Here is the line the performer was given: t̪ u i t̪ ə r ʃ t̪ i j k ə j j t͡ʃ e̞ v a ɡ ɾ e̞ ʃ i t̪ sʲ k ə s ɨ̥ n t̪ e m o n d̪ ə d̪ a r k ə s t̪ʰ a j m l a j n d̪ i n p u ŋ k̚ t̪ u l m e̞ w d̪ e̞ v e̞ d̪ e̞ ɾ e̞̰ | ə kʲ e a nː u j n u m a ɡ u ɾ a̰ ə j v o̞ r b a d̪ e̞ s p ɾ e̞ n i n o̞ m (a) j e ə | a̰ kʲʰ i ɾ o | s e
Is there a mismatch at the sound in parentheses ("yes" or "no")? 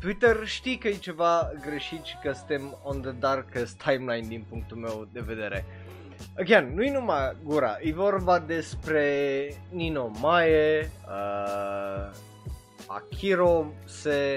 no